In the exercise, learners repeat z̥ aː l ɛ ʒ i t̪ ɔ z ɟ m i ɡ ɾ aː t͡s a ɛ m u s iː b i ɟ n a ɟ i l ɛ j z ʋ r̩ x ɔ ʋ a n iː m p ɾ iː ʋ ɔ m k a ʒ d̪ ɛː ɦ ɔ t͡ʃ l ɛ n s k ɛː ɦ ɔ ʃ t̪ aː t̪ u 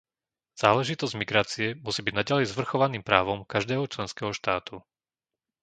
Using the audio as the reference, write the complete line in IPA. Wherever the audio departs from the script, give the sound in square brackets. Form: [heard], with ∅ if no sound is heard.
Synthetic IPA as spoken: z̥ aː l ɛ ʒ i t̪ ɔ z ɟ m i ɡ ɾ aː t͡s [i] ɛ m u s iː b i ɟ n a ɟ [a] l ɛ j z ʋ r̩ x ɔ ʋ a n iː m p ɾ [aː] ʋ ɔ m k a ʒ d̪ ɛː ɦ ɔ t͡ʃ l ɛ n s k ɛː ɦ ɔ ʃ t̪ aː t̪ u